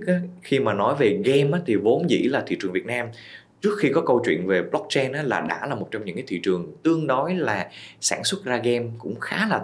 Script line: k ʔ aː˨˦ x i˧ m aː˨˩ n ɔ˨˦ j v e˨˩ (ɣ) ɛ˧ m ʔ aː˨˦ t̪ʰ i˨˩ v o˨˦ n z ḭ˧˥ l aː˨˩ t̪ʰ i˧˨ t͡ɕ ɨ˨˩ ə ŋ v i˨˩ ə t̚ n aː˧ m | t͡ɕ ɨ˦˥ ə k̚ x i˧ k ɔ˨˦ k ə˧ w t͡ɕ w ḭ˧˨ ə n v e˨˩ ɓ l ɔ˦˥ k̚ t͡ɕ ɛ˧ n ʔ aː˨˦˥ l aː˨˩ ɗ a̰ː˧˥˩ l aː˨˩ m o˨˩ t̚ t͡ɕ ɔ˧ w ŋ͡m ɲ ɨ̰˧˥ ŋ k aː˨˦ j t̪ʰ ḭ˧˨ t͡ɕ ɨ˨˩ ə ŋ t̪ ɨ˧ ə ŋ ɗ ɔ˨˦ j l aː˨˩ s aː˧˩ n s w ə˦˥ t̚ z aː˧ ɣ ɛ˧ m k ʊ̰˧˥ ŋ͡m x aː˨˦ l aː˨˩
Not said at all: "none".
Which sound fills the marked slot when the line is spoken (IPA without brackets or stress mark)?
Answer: ɣ